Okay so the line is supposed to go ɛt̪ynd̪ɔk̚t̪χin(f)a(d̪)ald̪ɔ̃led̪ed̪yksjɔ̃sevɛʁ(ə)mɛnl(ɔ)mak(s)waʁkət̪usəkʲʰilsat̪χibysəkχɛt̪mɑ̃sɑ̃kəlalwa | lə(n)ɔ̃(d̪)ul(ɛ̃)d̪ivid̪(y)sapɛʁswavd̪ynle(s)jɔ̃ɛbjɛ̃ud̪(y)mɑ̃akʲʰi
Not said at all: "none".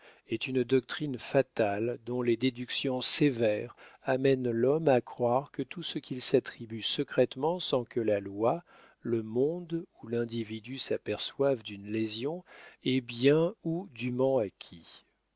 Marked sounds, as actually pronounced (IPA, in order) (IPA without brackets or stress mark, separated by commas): f, t̪, a, ɔ, χ, m, d̪, ɛ̃, y, z, y